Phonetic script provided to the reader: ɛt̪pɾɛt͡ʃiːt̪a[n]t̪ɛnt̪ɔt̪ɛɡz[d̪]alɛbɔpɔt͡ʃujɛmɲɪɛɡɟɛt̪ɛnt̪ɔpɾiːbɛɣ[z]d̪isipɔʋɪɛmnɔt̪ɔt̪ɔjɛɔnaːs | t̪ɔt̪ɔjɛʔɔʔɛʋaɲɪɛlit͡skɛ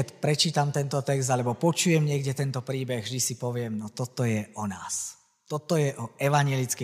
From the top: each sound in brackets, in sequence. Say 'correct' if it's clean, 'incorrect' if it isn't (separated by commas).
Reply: incorrect, correct, incorrect